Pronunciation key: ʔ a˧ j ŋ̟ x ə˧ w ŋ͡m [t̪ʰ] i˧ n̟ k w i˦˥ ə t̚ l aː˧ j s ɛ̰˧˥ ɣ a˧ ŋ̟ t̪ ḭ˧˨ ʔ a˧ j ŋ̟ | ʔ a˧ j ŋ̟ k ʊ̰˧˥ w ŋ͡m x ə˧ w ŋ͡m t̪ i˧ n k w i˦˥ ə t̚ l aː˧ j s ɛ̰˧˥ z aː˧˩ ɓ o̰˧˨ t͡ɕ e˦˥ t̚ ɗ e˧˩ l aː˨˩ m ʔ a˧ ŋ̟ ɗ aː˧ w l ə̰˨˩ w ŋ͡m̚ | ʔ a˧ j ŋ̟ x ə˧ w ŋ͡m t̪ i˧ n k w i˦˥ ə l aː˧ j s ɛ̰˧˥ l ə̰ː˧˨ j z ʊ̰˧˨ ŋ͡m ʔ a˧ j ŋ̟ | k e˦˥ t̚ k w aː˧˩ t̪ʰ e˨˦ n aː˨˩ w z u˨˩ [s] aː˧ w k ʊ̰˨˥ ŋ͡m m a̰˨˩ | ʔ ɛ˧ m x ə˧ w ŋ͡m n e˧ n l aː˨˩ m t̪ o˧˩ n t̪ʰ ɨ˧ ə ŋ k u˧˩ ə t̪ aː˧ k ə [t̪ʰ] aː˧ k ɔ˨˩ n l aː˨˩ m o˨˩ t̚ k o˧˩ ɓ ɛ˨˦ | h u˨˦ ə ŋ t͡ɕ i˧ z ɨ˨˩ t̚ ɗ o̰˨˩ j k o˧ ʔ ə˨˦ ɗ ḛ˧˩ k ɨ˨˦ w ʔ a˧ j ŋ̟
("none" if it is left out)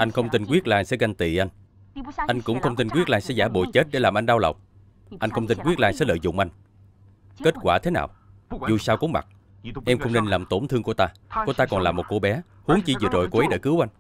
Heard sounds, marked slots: t̪, s, t̪

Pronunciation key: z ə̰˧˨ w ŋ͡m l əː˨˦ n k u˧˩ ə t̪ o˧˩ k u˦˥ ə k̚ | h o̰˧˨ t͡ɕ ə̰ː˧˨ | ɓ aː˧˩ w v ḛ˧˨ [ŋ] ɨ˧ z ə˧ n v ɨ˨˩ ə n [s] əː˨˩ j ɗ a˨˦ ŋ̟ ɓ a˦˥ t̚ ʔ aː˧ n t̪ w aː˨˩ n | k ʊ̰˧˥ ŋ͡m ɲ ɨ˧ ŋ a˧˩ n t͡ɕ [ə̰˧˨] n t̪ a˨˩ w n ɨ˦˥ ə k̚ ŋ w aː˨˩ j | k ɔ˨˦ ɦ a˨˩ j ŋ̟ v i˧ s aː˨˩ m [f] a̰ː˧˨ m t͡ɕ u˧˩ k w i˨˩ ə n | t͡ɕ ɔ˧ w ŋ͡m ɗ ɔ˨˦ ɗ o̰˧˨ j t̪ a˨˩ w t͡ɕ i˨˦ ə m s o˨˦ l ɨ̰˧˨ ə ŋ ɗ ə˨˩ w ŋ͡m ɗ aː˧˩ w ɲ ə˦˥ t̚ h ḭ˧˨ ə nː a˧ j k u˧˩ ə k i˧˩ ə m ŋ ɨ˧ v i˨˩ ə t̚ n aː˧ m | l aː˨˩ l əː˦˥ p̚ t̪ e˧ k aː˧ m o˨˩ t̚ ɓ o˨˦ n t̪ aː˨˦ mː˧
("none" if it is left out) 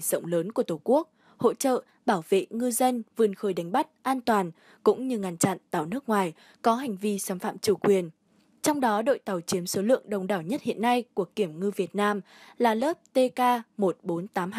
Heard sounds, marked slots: ŋ, x, a̰˧˨, f

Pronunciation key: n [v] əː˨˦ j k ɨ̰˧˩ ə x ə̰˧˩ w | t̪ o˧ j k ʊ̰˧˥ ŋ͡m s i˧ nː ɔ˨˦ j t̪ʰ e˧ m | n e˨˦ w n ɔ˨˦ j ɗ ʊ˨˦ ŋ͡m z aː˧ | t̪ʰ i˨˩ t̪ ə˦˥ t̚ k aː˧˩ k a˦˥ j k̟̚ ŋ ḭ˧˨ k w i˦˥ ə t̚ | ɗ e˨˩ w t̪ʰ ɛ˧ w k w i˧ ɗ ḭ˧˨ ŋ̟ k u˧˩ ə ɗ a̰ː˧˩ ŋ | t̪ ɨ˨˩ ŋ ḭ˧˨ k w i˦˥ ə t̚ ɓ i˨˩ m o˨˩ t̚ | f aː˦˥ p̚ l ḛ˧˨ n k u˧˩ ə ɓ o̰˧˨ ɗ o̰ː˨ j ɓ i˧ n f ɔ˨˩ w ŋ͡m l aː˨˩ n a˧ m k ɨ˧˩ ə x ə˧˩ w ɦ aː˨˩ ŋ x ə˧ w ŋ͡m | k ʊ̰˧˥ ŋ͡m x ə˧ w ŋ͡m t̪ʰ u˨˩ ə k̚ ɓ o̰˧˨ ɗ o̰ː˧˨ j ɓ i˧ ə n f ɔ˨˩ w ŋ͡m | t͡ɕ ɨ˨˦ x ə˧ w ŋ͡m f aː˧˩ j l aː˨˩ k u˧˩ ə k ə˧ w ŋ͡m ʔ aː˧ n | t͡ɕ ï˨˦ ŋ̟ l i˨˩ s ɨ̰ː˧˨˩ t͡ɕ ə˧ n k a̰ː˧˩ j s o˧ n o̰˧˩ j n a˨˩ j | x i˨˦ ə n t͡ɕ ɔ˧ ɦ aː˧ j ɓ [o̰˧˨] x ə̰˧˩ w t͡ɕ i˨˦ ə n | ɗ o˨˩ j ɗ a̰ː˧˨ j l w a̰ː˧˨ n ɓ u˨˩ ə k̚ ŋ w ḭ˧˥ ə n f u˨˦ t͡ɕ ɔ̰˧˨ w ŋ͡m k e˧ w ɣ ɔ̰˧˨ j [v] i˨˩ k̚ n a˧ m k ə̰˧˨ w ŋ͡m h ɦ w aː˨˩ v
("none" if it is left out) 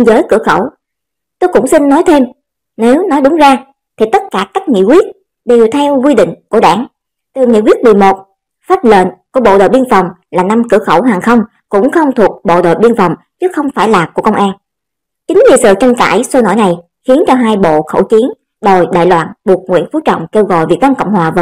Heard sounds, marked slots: z, o̰˧˨, v

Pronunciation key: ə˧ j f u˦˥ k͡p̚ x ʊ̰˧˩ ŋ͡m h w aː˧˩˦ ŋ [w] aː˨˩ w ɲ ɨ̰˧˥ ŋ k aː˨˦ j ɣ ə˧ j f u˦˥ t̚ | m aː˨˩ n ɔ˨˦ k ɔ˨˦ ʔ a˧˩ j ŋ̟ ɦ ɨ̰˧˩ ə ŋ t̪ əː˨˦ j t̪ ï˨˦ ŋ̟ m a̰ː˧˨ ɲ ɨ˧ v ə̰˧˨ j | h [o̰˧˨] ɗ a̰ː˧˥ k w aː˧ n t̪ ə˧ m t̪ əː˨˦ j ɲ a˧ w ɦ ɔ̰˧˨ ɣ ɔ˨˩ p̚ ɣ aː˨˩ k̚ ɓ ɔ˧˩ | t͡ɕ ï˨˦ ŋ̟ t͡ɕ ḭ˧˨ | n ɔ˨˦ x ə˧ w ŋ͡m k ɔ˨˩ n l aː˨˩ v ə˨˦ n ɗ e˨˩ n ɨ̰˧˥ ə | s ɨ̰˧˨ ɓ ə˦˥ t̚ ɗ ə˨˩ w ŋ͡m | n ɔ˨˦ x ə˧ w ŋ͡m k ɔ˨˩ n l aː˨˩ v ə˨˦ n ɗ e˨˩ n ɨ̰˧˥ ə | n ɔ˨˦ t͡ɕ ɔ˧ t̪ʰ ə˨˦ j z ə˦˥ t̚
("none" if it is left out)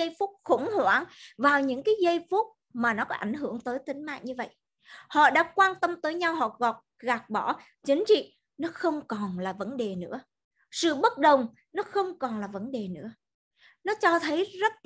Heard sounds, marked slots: v, ɔ̰˧˨

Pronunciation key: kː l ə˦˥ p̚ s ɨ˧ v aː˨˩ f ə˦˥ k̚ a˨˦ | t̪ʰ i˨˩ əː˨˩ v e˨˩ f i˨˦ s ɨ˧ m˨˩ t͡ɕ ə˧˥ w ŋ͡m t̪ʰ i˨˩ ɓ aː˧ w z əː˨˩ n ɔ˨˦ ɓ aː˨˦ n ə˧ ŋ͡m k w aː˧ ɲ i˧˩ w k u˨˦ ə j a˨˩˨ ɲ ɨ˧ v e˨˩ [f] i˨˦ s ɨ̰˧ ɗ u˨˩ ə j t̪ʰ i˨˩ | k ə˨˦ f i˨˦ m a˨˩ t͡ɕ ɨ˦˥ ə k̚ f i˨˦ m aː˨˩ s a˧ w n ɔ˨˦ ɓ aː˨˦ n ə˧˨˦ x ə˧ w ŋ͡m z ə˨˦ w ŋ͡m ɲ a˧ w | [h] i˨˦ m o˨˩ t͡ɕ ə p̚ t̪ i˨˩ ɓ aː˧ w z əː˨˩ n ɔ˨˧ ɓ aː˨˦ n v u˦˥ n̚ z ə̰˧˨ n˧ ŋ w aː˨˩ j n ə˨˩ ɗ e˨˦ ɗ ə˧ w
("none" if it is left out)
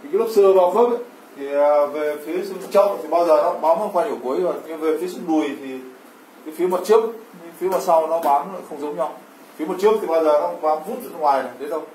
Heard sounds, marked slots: f, f

